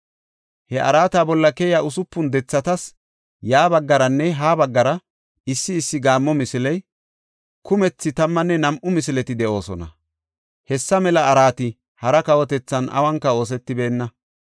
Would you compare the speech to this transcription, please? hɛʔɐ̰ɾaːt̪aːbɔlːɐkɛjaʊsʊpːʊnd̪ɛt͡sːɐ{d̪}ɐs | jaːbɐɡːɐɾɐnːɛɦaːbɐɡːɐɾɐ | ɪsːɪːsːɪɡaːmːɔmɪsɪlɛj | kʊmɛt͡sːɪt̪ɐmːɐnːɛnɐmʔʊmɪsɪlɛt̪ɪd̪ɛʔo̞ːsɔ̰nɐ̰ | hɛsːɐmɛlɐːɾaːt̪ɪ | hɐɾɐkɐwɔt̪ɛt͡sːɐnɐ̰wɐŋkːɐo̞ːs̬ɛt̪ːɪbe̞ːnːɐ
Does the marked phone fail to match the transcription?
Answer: yes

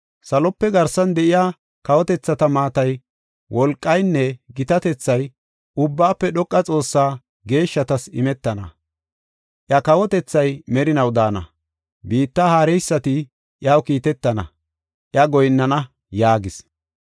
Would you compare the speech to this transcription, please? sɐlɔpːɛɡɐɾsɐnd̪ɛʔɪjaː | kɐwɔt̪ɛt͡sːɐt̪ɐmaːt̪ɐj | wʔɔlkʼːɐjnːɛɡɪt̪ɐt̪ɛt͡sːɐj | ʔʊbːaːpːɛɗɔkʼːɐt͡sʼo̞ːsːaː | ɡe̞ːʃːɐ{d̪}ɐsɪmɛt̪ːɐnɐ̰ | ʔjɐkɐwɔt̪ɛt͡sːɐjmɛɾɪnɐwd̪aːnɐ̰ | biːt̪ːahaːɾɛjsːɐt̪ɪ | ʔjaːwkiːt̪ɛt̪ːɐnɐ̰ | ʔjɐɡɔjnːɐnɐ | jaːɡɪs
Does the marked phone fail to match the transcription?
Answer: yes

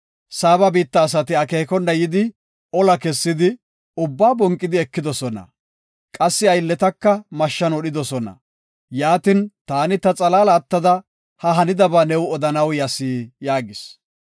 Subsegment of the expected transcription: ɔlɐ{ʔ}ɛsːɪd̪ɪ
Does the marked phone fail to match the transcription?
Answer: yes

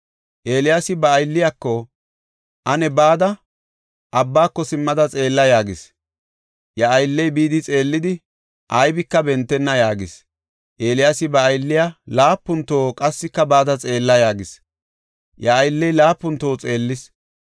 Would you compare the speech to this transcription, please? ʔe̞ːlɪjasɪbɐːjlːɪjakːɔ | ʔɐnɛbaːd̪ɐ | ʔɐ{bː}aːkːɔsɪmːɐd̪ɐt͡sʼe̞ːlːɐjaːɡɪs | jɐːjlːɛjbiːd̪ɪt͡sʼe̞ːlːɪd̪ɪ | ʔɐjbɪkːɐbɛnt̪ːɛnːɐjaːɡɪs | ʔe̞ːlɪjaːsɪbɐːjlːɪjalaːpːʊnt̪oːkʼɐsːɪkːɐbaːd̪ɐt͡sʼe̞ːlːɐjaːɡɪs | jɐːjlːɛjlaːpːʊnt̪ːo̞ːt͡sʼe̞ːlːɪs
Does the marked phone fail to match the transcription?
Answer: no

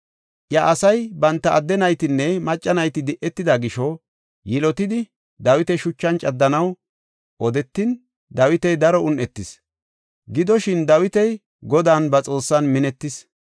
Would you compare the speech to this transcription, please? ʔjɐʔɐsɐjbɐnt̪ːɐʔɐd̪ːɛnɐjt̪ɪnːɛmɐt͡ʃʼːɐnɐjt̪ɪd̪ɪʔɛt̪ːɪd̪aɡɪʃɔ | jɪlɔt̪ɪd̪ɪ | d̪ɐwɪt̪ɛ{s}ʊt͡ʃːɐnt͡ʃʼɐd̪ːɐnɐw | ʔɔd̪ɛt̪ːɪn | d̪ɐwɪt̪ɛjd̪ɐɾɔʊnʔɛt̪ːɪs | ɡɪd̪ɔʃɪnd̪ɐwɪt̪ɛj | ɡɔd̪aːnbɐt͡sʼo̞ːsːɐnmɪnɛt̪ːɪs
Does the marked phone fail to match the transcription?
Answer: yes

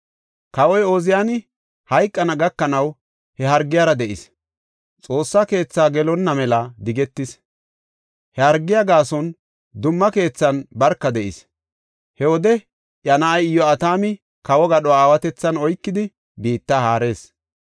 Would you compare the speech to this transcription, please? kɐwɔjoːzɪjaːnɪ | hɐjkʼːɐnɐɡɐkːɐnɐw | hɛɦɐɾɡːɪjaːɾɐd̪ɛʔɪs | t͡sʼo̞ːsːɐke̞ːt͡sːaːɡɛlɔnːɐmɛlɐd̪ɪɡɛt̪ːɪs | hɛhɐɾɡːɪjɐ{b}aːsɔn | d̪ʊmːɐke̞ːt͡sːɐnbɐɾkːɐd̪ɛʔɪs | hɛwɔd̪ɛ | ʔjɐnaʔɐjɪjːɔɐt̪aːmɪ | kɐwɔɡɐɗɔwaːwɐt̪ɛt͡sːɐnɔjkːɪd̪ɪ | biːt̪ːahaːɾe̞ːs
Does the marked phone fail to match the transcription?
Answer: yes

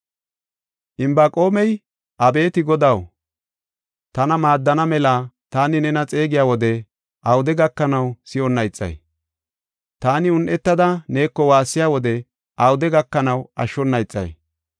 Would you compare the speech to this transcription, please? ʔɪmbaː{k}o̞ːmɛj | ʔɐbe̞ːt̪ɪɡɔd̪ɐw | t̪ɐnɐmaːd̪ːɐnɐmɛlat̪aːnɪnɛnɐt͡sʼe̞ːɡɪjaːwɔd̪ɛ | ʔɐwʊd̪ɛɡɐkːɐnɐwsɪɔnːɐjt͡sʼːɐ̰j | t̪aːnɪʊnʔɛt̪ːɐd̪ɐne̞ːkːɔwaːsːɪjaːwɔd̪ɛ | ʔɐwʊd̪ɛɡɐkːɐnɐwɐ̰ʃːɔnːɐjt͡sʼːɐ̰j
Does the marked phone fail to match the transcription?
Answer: yes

